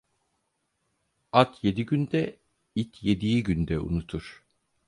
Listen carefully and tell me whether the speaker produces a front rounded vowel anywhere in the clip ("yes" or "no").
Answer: yes